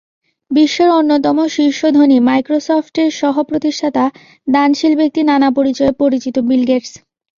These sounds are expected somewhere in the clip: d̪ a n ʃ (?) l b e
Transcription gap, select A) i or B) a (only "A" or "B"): A